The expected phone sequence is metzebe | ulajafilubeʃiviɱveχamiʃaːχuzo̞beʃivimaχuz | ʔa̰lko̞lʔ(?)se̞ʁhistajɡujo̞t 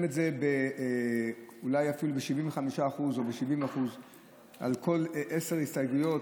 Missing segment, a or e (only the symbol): e